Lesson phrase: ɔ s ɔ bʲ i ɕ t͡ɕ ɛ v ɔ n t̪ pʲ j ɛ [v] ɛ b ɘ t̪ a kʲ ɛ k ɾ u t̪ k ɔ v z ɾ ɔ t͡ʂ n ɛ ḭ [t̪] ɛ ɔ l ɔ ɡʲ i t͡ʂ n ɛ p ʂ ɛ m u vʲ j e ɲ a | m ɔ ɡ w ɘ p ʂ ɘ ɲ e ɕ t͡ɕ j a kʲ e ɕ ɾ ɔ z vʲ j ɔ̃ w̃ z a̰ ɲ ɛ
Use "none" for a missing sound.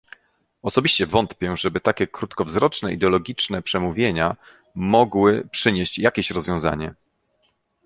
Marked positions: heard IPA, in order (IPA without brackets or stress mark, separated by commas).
ʐ, d̪